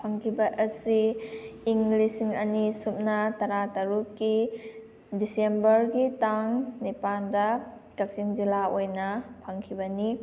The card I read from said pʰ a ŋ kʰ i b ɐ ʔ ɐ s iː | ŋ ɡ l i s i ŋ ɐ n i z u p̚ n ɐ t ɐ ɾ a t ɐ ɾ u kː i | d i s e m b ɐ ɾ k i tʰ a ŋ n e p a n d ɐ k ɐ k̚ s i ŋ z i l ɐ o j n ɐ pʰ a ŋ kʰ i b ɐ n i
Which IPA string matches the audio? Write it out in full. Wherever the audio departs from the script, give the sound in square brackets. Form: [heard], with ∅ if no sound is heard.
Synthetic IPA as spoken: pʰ a ŋ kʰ i b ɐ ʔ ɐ s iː | ŋ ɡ l i s i ŋ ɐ n i [s] u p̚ n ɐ t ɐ ɾ a t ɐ ɾ u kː i | d i s e m b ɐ ɾ [ɡ] i [t] a ŋ n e p a n d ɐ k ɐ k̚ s i ŋ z i l [a] o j n ɐ pʰ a ŋ kʰ i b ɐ n i